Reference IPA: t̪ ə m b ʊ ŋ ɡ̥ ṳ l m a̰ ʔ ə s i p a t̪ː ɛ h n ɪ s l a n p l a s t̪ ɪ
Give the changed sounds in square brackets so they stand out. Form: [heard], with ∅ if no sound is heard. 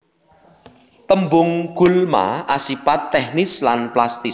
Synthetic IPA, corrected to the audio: t̪ ə m b ʊ ŋ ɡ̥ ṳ l m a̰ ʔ [a] s i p a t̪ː ɛ h n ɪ s l a n p l a s t̪ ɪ